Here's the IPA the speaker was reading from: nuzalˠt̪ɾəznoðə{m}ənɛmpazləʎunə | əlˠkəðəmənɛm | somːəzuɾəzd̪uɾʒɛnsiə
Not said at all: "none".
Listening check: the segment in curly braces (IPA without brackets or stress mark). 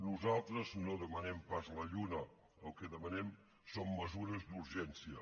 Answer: m